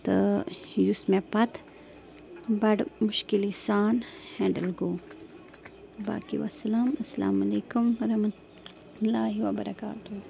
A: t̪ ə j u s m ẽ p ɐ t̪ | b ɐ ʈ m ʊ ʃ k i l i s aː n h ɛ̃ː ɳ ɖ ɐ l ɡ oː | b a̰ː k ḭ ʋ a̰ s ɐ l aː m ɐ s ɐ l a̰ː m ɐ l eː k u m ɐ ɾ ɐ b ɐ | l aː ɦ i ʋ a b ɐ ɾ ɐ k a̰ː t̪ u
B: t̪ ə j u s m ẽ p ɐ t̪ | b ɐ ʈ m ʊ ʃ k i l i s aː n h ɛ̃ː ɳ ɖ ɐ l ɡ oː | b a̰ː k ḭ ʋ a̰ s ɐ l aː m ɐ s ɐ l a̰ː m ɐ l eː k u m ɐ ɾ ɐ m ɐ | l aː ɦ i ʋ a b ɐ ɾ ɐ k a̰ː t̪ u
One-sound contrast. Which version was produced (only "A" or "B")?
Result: B